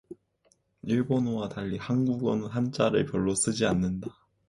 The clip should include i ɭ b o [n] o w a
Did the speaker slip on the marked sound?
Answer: no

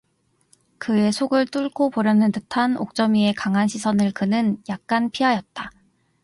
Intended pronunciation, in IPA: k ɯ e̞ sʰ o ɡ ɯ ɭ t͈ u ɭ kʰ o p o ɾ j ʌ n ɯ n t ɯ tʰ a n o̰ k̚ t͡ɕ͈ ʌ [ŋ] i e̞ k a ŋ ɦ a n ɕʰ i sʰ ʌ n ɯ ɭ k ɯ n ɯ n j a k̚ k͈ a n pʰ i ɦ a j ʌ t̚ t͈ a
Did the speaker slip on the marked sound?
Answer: yes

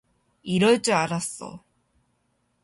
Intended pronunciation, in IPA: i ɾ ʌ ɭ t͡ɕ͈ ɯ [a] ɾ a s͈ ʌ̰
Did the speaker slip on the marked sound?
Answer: no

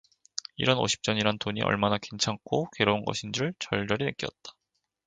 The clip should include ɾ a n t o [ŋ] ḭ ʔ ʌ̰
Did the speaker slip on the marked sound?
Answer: yes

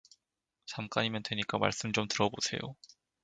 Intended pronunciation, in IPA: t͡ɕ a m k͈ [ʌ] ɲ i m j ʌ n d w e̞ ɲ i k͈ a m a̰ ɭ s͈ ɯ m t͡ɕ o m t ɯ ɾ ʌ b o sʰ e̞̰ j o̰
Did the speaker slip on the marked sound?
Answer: yes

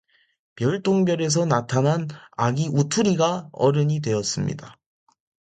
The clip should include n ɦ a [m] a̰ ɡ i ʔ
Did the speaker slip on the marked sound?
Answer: yes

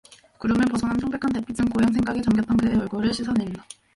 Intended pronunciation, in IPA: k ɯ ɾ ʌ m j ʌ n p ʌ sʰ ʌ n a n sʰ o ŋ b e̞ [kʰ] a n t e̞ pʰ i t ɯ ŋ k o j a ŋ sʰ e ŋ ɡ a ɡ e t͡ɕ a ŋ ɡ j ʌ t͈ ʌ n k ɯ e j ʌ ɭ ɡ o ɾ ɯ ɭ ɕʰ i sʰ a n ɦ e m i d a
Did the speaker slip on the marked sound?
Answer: no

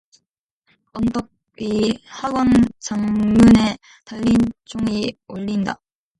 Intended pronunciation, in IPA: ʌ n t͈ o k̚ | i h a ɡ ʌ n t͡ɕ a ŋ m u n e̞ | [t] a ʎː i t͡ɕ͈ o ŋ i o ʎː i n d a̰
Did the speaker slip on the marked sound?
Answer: no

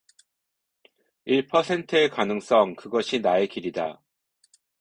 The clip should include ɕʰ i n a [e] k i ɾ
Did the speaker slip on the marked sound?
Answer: no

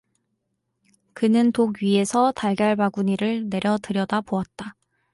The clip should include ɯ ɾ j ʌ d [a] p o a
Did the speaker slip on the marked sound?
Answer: no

